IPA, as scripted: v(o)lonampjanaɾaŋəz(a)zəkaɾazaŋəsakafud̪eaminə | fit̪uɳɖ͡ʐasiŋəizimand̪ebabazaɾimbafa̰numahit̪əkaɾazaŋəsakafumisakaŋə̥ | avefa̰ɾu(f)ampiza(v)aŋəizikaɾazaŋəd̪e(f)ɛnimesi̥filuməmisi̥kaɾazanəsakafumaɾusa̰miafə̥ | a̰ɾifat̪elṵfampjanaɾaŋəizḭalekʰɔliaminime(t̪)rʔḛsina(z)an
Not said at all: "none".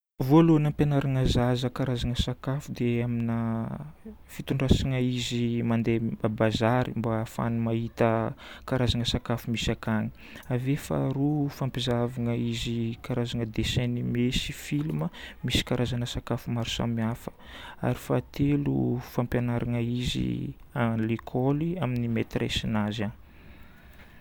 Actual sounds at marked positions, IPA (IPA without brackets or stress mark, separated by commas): o, a, f, v, s, t̪, z